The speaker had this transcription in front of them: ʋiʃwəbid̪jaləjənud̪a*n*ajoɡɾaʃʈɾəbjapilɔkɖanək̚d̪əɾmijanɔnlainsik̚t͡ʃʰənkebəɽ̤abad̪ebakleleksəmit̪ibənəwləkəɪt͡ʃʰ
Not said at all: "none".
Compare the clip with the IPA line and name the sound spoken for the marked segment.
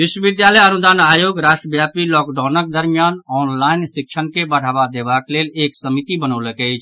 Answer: n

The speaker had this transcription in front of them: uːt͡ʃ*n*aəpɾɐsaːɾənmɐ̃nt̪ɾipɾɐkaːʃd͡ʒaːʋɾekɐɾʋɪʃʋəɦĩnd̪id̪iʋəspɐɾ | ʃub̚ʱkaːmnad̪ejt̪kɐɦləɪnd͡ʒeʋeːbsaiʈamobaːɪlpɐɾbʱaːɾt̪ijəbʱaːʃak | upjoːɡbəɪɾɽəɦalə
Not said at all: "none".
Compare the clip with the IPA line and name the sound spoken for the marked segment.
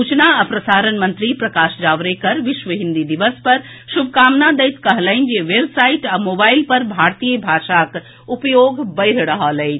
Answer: n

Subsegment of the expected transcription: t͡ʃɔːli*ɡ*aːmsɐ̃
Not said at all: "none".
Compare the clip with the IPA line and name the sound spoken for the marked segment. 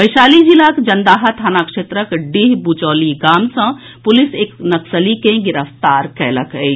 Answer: ɡ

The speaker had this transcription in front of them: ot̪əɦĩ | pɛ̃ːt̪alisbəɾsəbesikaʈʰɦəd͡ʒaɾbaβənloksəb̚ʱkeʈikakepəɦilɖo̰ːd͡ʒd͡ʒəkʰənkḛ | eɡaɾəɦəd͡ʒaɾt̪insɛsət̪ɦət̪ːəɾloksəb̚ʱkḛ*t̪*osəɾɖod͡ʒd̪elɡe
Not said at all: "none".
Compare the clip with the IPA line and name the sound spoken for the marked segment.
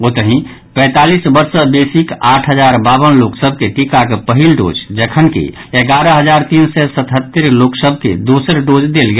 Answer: d̪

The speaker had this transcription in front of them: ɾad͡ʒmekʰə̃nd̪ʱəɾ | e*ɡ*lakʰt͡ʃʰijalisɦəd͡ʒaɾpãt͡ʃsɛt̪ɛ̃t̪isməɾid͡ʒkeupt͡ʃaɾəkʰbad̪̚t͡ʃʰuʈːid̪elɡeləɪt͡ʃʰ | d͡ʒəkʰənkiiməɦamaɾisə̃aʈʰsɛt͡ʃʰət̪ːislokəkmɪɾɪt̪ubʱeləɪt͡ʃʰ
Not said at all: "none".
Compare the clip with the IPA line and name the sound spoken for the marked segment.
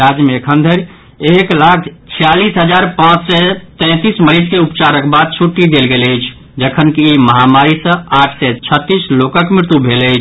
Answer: k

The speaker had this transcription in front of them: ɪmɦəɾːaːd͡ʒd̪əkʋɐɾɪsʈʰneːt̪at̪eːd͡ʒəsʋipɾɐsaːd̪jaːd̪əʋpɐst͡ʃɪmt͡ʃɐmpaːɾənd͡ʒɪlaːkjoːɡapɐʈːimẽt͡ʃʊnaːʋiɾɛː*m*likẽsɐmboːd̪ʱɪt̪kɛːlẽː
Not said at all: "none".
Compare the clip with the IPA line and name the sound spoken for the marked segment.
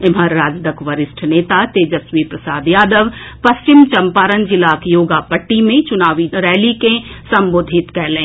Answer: none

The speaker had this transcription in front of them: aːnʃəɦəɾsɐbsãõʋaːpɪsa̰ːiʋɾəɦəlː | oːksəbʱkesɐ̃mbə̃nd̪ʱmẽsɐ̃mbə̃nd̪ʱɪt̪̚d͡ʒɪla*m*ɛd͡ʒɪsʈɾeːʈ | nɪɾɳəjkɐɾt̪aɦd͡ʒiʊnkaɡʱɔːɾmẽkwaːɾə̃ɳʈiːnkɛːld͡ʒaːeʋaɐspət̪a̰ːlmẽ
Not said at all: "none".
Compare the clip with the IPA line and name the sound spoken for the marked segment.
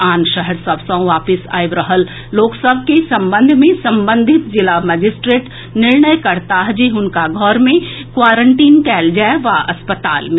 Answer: m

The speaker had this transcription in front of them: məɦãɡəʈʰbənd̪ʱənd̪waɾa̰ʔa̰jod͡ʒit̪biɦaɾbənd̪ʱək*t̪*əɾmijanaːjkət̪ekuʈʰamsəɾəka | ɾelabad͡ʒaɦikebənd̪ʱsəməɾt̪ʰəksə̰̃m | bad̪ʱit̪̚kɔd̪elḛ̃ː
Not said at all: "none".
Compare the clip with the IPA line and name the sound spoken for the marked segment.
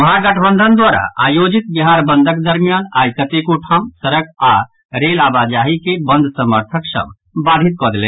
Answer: d̪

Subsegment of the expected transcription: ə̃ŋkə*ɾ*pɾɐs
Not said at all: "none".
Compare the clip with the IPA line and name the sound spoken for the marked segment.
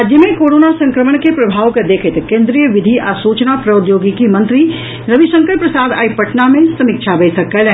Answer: ɾ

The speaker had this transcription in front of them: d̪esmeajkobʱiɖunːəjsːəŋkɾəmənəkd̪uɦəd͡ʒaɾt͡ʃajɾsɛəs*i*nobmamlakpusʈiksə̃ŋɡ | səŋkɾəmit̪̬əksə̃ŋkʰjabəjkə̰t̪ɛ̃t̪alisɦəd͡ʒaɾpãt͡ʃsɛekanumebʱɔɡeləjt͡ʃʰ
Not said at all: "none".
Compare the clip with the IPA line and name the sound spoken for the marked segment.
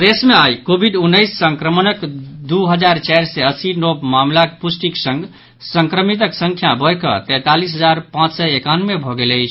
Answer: i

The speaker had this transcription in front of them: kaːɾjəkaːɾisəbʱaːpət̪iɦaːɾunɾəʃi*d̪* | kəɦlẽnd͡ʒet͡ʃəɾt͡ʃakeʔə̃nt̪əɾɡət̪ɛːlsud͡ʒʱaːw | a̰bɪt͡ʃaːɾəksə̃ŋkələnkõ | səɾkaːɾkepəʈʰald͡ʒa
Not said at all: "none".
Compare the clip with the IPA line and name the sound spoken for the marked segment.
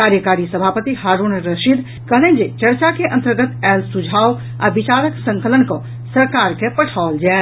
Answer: d̪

